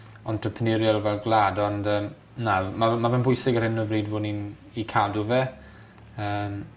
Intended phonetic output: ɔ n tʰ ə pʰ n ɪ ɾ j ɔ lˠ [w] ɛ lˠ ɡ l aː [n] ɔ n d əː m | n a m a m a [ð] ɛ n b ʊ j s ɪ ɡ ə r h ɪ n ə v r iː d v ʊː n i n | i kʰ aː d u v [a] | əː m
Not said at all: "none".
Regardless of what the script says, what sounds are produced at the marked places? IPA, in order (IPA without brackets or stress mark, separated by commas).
v, d, v, ɛ